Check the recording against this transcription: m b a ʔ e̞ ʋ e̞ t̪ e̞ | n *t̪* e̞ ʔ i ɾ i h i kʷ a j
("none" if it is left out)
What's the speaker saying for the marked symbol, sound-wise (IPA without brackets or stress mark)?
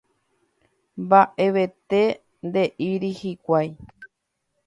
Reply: d̪